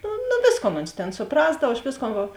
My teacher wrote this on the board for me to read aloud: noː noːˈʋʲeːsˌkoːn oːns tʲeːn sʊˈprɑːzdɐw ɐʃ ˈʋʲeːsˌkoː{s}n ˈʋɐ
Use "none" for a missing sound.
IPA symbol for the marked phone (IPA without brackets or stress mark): none